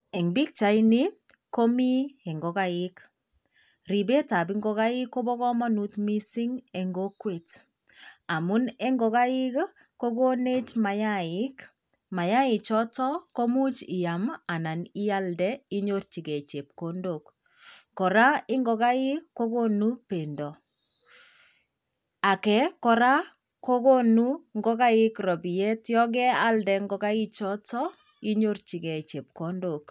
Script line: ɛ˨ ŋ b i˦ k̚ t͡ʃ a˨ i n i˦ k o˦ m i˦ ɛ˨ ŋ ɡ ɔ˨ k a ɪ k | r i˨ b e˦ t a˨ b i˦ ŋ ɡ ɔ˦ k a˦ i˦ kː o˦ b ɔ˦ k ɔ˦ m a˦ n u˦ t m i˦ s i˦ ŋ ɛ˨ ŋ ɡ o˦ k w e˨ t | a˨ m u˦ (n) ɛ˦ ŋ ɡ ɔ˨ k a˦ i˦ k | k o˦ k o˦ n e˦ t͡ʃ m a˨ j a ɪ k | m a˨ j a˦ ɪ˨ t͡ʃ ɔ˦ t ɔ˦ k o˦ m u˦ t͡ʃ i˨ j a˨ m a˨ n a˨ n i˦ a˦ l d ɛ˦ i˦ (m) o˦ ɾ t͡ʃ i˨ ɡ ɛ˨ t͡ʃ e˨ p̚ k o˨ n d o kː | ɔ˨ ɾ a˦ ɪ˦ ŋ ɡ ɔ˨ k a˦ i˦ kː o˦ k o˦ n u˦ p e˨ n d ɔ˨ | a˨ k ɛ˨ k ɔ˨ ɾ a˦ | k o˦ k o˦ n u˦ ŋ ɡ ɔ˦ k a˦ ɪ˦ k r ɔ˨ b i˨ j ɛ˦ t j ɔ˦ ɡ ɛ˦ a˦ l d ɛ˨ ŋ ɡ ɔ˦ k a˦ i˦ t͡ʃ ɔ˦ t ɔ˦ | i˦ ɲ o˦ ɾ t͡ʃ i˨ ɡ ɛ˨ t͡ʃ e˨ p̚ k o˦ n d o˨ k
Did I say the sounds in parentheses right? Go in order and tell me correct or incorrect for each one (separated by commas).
correct, incorrect